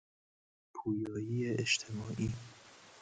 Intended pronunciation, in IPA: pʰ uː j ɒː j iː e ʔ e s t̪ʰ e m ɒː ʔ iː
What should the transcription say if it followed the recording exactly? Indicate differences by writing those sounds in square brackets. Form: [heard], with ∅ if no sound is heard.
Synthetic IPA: pʰ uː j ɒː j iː e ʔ e [ʃ] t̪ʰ e m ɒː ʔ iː